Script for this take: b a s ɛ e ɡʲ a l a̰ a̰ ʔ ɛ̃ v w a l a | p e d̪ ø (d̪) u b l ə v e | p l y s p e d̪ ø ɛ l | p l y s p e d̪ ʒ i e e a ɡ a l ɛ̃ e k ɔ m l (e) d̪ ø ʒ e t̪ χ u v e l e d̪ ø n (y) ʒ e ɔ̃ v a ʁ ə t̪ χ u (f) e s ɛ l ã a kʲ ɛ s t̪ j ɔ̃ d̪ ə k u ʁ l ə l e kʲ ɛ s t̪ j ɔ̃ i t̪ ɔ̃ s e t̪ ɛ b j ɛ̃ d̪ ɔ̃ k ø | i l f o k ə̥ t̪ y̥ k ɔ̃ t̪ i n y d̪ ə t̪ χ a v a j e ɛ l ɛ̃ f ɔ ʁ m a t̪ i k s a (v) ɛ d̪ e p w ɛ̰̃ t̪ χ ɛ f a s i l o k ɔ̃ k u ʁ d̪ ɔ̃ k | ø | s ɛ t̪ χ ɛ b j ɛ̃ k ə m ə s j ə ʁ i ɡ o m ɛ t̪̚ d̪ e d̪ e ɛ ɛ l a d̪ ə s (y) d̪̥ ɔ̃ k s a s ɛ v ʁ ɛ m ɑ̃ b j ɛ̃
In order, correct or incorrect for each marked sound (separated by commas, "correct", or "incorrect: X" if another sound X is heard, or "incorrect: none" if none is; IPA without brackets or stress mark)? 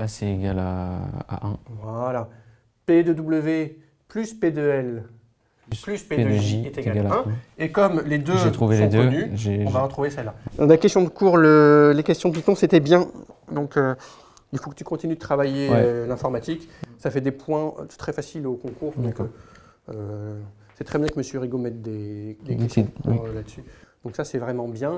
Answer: correct, correct, correct, incorrect: v, incorrect: f, correct